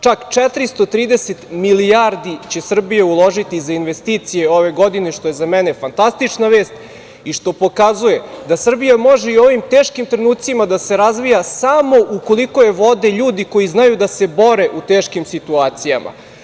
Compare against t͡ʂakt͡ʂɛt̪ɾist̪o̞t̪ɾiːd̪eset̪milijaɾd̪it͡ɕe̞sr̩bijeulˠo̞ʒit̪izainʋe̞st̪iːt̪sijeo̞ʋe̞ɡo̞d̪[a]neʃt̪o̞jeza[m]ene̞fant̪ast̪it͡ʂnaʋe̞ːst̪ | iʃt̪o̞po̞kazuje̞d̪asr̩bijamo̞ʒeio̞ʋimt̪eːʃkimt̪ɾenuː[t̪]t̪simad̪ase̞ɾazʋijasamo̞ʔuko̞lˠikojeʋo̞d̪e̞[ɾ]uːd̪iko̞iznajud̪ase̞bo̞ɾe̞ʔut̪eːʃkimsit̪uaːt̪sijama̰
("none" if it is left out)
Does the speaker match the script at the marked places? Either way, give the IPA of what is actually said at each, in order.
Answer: i, m, t̪, ʎ

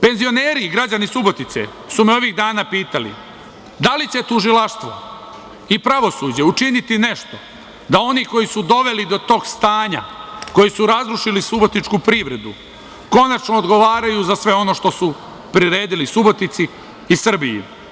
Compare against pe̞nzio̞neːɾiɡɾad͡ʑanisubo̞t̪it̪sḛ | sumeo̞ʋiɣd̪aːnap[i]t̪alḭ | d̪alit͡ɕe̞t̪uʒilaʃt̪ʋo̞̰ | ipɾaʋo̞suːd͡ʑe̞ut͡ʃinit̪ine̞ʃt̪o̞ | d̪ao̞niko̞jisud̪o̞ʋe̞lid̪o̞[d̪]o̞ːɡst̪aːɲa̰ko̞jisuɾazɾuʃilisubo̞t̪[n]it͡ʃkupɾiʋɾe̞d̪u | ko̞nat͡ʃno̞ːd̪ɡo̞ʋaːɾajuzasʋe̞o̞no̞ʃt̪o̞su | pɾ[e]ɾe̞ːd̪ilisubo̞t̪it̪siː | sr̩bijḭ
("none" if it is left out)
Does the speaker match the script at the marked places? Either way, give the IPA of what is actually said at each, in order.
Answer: iː, t̪, n, i

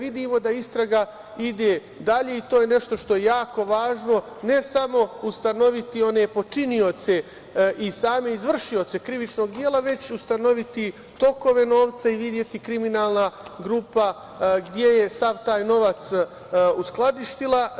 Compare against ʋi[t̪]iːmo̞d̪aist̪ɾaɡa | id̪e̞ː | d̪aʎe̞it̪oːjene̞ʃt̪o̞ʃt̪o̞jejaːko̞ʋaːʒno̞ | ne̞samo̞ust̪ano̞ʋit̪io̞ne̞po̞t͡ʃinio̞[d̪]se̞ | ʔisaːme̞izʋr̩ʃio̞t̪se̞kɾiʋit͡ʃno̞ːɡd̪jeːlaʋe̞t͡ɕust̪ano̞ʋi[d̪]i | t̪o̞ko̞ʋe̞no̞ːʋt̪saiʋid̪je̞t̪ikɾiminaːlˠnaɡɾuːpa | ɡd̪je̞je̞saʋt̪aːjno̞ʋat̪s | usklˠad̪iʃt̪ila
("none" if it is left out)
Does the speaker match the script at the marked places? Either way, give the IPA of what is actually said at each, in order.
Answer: d̪, t̪, t̪

